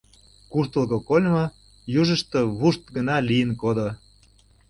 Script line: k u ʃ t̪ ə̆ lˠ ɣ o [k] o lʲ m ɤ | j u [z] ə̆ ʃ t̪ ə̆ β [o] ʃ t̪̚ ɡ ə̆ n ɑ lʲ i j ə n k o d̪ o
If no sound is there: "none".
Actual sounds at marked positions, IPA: k, ʒ, u

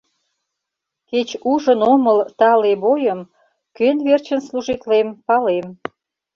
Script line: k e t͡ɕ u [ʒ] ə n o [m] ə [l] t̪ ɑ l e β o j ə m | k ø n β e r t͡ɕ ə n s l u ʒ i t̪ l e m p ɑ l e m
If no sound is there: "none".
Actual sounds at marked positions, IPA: ʒ, m, l

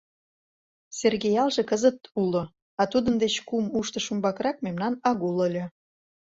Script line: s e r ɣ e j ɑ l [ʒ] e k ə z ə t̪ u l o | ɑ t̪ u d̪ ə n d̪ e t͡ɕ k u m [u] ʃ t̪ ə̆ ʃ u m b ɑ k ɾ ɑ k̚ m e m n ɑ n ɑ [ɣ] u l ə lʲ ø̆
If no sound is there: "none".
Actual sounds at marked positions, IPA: ʒ, u, ɣ

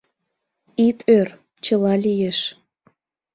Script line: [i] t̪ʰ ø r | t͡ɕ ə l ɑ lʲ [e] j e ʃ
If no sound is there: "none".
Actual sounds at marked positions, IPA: i, i

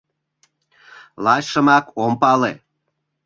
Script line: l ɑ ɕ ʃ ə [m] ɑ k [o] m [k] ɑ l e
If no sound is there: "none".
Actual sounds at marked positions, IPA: m, o, p

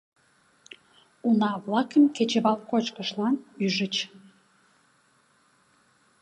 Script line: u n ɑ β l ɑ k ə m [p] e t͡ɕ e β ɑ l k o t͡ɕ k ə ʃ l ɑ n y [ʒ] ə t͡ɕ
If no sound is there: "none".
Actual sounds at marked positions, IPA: k, ʒ

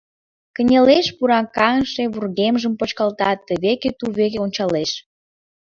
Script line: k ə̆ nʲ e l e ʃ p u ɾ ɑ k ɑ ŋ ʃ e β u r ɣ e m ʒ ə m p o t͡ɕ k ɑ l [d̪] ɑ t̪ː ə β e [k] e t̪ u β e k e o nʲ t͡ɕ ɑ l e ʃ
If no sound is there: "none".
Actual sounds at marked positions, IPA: t̪, k

